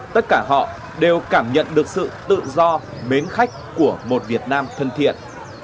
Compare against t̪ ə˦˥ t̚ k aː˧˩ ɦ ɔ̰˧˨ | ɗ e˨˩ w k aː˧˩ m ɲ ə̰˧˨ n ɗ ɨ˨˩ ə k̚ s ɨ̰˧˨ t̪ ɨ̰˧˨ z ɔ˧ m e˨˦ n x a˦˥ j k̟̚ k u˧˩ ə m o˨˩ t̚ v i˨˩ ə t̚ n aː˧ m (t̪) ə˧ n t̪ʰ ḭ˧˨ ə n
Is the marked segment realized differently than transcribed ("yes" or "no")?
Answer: yes